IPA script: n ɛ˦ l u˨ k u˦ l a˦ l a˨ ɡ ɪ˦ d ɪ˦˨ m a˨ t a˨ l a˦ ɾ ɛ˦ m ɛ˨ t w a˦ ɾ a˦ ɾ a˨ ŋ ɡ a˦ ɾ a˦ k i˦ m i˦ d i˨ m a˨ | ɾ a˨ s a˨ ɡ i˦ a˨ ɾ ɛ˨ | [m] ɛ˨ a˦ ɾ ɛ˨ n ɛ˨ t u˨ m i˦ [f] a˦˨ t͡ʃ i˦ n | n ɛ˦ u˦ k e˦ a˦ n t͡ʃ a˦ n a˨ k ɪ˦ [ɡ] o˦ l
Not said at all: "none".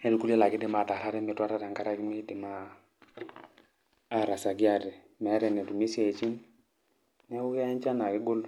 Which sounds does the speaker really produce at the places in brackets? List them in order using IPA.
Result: m, s, ɡ

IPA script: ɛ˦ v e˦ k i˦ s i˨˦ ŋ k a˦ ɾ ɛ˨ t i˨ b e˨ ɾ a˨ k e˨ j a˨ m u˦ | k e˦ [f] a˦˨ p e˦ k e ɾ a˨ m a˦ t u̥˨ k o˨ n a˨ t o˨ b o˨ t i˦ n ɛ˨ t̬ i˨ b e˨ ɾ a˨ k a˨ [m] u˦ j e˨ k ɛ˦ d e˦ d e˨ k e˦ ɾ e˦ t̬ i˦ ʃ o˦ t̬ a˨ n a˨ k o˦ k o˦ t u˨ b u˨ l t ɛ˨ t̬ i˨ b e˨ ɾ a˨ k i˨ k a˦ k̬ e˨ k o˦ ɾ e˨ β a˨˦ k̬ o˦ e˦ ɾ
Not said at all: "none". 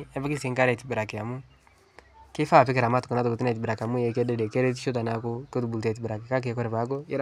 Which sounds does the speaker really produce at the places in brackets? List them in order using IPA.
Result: f, m

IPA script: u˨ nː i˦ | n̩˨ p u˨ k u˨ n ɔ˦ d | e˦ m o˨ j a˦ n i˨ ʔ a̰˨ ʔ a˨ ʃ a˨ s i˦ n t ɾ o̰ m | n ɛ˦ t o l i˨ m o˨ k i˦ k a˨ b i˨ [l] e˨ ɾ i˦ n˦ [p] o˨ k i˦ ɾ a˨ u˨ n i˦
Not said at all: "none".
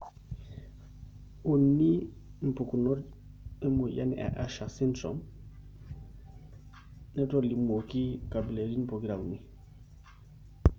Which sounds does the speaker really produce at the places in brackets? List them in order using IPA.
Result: l, p

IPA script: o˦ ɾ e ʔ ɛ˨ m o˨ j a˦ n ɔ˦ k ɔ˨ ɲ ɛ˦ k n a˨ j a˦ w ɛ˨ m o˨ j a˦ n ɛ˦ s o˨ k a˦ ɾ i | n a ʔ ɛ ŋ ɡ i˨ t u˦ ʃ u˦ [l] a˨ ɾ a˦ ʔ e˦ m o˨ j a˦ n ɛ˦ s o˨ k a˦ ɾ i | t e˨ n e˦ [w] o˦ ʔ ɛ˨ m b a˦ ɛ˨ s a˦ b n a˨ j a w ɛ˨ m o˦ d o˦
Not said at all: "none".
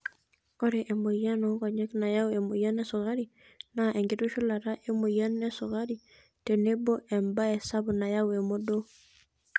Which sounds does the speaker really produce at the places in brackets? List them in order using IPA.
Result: l, b

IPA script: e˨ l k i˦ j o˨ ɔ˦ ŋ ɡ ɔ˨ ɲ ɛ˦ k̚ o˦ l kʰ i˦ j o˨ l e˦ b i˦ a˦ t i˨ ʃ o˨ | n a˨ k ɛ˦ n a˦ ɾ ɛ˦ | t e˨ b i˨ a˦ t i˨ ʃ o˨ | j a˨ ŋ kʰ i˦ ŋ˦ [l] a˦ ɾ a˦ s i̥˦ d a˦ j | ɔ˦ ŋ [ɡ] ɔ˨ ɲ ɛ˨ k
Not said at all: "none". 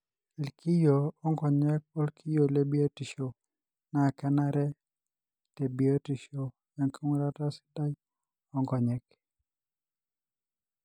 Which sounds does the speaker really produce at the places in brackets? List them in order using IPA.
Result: ɾ, ɡ

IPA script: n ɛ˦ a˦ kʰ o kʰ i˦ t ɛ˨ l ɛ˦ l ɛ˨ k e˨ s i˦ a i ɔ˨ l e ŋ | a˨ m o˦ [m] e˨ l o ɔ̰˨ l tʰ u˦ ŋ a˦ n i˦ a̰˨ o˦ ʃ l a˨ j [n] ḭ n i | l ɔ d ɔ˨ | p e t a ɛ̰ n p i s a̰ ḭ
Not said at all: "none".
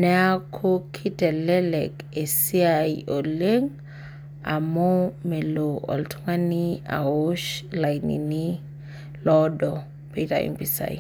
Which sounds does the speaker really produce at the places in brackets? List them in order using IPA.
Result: m, n

